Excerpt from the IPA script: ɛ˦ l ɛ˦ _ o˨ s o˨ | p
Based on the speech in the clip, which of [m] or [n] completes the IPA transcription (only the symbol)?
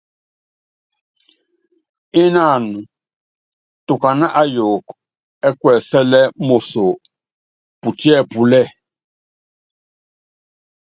m